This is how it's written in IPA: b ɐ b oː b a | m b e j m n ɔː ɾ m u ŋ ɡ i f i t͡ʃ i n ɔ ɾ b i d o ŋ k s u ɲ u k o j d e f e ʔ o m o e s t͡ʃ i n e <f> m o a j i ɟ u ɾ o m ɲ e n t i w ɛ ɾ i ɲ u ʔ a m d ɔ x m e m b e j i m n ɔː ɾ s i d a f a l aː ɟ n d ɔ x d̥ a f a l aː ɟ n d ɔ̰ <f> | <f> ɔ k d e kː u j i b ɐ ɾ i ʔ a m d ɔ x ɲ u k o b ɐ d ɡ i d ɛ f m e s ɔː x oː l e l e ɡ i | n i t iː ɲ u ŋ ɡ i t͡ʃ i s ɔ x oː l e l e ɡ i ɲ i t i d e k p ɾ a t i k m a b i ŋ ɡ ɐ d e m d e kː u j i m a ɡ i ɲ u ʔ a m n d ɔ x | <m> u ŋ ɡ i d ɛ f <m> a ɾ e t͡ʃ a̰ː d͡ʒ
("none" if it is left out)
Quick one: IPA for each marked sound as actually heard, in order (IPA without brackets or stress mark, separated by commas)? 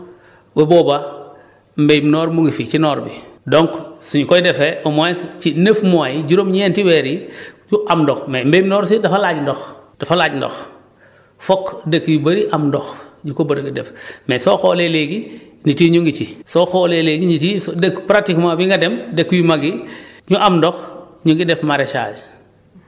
f, x, f, ɲ, m